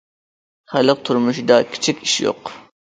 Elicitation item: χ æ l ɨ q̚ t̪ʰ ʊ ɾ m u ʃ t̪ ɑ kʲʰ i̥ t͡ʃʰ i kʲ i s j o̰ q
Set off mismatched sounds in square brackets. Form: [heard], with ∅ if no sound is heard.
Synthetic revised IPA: χ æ l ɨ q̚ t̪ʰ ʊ ɾ m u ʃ [d̪] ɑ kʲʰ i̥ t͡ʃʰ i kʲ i [ʃ] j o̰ q